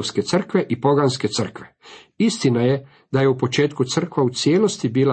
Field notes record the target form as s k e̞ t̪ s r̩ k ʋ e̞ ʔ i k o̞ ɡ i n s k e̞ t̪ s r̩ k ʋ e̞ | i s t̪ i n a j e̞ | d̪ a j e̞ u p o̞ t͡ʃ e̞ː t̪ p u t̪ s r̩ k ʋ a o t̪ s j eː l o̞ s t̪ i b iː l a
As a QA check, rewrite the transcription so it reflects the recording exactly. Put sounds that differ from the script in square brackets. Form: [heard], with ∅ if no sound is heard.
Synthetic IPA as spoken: s k e̞ t̪ s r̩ k ʋ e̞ ʔ i [p] o̞ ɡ [a] n s k e̞ t̪ s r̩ k ʋ e̞ | i s t̪ i n a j e̞ | d̪ a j e̞ u p o̞ t͡ʃ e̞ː t̪ [k] u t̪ s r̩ k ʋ a [u] t̪ s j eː l o̞ s t̪ i b iː l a